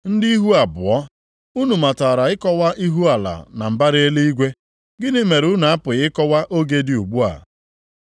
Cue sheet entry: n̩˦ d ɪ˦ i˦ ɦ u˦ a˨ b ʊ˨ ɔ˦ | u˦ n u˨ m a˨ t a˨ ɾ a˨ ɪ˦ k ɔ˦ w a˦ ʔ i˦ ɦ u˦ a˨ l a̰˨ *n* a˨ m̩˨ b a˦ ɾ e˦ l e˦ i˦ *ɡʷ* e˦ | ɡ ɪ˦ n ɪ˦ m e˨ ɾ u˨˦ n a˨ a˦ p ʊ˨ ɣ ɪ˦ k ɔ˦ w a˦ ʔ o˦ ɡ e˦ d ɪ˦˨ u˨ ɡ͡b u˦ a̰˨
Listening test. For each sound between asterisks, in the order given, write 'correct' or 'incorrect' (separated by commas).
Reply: correct, correct